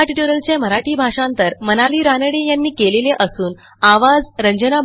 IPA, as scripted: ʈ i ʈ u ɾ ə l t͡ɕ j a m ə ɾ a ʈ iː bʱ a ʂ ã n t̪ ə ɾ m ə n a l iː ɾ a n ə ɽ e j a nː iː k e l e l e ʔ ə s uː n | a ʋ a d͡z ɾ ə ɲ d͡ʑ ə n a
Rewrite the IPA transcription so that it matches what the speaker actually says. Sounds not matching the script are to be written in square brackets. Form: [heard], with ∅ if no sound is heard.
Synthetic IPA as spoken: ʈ i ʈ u ɾ ə l t͡ɕ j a m ə ɾ a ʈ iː bʱ a ʂ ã n t̪ ə ɾ m ə n a l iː ɾ a n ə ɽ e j a nː iː k e l e l e ʔ ə s uː n | a ʋ a d͡z ɾ ə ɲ d͡ʑ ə n a